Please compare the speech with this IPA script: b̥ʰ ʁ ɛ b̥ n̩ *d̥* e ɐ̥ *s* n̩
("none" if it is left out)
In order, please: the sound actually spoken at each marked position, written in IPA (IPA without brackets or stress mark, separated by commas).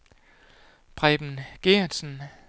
ɡ̥, s